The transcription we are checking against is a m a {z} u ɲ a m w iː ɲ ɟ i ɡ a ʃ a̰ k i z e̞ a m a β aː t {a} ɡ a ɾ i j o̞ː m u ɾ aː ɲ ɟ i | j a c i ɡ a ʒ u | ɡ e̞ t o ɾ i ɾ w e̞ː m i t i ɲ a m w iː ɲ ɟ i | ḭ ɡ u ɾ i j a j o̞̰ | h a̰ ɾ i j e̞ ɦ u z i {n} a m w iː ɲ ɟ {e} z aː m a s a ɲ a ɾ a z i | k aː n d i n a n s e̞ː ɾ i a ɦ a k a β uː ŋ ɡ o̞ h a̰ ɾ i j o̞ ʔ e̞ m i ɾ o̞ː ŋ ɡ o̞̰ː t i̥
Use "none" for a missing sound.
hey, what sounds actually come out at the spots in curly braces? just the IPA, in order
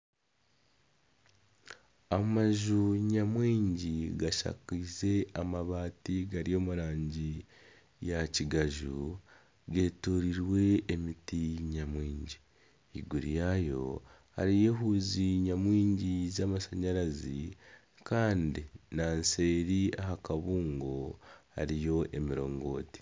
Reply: ʒ, i, ɲ, i

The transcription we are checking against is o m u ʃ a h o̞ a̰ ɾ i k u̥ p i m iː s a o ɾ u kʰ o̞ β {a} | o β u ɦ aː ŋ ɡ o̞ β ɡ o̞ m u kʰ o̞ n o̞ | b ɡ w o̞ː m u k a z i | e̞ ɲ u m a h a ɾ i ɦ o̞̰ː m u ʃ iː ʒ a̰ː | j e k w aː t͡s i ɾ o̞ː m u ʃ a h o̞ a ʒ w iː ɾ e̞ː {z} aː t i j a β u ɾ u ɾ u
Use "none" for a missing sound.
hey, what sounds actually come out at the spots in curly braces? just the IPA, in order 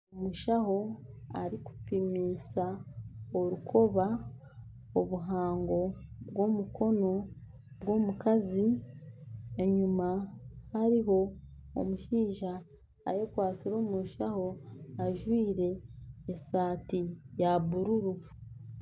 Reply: a, s

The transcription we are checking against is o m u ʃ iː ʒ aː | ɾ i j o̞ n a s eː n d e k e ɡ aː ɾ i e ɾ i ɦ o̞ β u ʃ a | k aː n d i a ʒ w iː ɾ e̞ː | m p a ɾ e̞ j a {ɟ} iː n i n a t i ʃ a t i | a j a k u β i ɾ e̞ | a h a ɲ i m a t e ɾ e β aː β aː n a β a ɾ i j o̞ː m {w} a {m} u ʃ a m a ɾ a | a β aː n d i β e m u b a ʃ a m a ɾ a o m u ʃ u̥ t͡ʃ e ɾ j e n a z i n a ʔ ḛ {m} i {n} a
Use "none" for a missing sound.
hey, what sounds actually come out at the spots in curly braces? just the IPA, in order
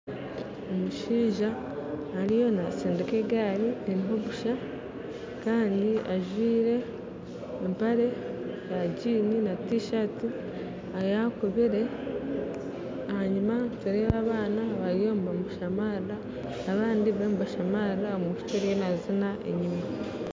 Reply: ɟ, b, m, ɲ, m

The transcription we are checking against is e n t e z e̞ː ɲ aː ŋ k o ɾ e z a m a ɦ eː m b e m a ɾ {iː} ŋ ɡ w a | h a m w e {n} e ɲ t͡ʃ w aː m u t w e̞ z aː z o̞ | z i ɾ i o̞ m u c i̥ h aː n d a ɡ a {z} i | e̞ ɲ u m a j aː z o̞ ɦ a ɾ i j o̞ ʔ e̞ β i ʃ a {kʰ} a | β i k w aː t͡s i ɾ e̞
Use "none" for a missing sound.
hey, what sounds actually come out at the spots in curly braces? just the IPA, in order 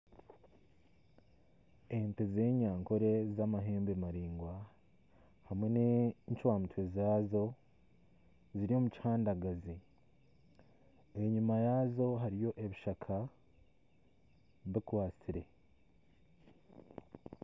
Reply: iː, n, z, kʰ

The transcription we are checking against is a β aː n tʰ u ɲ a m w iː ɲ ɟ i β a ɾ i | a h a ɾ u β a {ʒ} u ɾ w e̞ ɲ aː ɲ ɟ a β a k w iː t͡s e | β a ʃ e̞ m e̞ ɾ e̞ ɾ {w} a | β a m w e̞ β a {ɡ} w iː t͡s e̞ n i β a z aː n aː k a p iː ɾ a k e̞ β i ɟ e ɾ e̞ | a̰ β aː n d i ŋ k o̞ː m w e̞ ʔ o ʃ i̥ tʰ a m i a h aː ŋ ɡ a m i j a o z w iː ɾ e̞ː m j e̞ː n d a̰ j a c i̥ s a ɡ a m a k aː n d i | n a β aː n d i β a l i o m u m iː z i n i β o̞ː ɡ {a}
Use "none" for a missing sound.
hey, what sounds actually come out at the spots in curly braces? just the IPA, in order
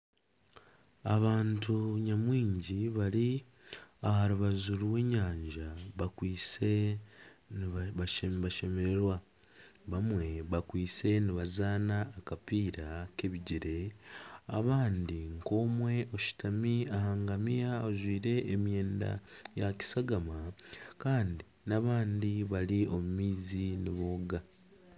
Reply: z, w, k, a

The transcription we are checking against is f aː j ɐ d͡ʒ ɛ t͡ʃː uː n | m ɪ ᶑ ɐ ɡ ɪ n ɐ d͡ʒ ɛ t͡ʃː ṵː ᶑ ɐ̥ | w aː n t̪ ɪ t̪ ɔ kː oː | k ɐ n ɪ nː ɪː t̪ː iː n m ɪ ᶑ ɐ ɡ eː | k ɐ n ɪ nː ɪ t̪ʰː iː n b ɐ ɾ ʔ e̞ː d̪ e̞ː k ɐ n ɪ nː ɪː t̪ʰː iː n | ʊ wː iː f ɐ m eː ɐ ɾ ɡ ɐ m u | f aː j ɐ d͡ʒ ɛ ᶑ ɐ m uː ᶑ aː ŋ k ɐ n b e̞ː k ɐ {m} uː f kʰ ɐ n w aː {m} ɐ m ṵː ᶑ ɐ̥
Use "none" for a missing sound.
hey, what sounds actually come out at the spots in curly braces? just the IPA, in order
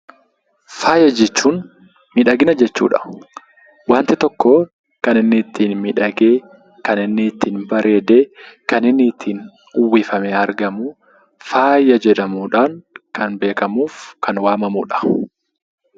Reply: m, m

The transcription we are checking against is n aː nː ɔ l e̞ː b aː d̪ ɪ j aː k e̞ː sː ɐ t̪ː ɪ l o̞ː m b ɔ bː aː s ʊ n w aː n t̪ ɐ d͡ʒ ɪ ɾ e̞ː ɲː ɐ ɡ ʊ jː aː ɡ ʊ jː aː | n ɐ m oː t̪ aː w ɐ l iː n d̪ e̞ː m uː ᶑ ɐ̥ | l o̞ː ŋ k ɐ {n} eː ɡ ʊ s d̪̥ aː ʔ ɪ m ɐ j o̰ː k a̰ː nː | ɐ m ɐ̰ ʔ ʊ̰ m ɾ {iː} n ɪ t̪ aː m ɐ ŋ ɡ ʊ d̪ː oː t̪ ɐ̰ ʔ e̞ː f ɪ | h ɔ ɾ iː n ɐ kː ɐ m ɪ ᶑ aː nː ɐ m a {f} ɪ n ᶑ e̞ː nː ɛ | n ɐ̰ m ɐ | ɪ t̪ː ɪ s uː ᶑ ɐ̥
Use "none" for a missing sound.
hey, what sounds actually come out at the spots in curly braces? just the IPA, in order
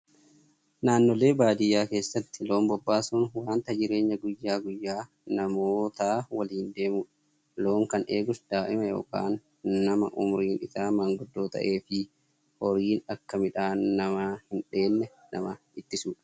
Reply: n, iː, h

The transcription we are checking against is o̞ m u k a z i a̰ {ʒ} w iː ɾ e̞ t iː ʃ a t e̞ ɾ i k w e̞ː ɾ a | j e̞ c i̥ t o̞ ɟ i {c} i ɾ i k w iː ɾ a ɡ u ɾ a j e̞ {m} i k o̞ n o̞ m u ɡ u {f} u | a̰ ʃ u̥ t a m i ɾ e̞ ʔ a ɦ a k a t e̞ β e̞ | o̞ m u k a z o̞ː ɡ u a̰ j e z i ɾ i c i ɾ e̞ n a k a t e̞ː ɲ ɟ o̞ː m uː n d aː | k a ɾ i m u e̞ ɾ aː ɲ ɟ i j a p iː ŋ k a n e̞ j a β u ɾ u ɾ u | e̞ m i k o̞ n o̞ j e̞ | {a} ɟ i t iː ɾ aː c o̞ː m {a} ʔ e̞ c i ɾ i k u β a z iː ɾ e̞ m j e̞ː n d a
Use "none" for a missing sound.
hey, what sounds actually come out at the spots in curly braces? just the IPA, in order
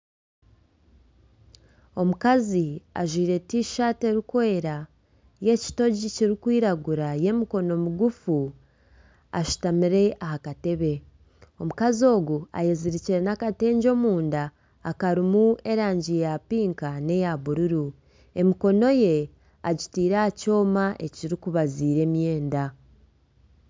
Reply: ʒ, c, m, f, a, a

